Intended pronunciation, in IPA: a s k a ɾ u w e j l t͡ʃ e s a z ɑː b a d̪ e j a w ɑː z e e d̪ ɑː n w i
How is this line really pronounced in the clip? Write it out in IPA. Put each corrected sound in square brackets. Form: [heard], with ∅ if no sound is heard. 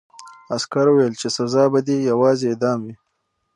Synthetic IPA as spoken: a s k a ɾ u w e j l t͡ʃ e s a z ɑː b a d̪ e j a w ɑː z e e d̪ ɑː [m] w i